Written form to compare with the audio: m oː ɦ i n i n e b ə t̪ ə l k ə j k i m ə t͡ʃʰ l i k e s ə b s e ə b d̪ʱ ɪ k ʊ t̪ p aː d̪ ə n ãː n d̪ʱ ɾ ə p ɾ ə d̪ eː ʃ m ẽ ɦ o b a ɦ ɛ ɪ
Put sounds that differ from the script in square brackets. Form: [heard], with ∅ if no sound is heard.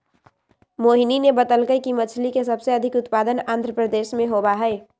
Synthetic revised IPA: m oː ɦ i n i n e b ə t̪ ə l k ə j k i m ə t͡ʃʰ l i k e s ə b s e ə [∅] d̪ʱ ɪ k ʊ t̪ p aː d̪ ə n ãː n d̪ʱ ɾ ə p ɾ ə d̪ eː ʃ m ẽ ɦ o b a ɦ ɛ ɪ